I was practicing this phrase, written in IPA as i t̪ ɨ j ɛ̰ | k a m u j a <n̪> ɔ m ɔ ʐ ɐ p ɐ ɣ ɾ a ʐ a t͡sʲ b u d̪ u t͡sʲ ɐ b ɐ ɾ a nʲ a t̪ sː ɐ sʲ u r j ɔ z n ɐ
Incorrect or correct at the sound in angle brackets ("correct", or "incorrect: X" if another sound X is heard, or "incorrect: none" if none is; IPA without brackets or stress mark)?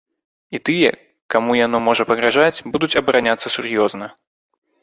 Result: correct